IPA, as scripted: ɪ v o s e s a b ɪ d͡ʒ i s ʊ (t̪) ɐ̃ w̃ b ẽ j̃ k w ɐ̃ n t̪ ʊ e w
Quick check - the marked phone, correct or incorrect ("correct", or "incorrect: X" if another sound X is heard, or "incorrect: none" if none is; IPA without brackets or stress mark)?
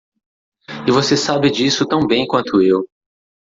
correct